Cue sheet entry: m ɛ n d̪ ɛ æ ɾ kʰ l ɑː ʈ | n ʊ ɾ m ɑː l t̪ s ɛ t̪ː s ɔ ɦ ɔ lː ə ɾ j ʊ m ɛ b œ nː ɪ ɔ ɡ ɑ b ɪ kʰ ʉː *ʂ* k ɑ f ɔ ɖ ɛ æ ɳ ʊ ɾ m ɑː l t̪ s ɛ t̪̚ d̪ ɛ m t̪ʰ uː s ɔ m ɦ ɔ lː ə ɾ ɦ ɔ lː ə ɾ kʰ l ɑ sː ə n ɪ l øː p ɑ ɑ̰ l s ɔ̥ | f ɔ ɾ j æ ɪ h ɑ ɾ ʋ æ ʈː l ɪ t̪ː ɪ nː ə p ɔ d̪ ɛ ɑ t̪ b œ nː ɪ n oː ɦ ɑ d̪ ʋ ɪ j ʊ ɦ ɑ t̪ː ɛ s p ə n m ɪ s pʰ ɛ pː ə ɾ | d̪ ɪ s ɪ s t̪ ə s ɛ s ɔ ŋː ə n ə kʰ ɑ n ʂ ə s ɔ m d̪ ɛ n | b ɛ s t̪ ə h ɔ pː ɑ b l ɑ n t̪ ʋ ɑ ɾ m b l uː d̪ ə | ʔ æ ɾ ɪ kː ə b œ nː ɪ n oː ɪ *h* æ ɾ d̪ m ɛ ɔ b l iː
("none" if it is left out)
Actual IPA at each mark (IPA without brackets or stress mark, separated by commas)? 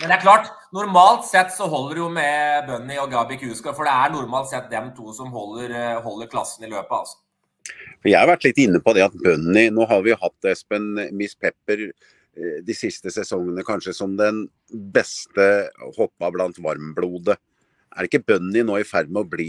s, f